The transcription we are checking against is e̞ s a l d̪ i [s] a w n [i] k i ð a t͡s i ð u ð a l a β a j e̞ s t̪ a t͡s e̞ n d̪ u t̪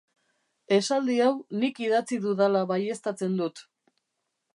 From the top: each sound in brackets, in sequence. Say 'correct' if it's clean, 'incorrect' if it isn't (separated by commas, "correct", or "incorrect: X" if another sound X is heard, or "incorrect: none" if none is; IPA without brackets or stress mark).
incorrect: none, correct